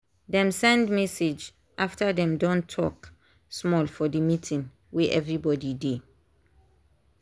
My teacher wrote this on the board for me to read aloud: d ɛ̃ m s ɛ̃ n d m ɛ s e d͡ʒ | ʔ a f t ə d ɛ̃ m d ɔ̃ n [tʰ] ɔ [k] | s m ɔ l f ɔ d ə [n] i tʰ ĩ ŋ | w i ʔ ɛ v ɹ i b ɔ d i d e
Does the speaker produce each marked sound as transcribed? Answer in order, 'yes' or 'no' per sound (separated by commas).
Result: yes, yes, no